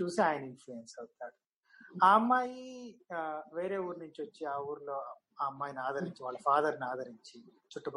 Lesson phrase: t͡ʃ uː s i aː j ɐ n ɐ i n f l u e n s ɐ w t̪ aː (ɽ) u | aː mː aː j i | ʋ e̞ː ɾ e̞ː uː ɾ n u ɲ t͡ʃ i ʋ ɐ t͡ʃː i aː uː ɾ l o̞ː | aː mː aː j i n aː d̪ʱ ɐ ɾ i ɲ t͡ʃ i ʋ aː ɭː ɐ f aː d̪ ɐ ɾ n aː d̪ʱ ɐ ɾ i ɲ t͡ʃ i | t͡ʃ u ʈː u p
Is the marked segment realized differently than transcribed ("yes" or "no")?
no